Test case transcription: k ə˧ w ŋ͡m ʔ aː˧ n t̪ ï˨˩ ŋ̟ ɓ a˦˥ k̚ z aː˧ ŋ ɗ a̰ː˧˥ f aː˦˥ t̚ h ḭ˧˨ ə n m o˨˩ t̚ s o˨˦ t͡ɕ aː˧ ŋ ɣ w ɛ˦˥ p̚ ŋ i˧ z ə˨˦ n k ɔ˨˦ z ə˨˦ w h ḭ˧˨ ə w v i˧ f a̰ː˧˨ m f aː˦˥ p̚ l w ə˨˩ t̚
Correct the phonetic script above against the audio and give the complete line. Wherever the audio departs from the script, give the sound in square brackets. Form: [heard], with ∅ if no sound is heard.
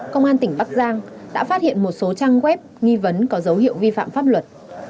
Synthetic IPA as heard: k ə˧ w ŋ͡m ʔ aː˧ n t̪ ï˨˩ ŋ̟ ɓ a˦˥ k̚ z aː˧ ŋ ɗ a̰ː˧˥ f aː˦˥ t̚ h ḭ˧˨ ə n m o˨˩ t̚ s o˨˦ t͡ɕ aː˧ ŋ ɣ w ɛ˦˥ p̚ ŋ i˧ [v] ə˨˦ n k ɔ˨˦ z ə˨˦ w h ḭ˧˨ ə w v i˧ f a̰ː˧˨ m f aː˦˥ p̚ l w ə˨˩ t̚

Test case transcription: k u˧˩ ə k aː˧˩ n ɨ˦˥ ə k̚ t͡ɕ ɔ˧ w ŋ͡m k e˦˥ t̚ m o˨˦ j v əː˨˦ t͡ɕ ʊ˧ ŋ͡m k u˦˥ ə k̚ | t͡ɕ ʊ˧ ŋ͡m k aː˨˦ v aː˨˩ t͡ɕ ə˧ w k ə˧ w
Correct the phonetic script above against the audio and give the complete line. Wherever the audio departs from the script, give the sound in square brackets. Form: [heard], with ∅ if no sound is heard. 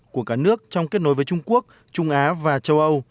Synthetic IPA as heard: k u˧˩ ə k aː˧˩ n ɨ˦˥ ə k̚ t͡ɕ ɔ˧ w ŋ͡m k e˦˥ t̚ [n] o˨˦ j v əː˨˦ t͡ɕ ʊ˧ ŋ͡m k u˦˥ ə k̚ | t͡ɕ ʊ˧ ŋ͡m [ʔ] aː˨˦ v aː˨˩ t͡ɕ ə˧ w [ʔ] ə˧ w

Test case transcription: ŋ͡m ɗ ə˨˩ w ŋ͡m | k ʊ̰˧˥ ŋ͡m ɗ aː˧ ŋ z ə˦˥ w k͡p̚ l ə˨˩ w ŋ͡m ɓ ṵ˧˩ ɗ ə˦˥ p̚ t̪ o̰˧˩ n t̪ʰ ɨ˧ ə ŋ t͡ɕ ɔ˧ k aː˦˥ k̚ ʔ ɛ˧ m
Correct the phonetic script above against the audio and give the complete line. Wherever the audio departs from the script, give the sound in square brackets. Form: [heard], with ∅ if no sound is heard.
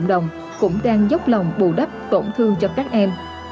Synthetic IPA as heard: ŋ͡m ɗ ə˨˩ w ŋ͡m | k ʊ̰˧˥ ŋ͡m ɗ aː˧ ŋ z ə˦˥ w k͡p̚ l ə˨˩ w ŋ͡m ɓ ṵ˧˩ ɗ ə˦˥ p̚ t̪ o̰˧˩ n t̪ʰ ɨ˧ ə ŋ t͡ɕ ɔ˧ k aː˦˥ k̚ ʔ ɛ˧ m

